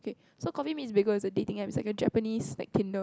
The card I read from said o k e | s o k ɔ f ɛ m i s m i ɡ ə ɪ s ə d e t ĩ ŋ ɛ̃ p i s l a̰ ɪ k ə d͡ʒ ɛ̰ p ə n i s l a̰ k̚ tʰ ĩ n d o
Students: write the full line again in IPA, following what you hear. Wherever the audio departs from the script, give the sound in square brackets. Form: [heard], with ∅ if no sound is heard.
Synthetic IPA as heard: o k e | s o k ɔ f [i] m i s [b] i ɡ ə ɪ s ə d e t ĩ ŋ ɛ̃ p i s l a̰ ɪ k ə d͡ʒ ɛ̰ p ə n i s l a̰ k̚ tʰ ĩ n d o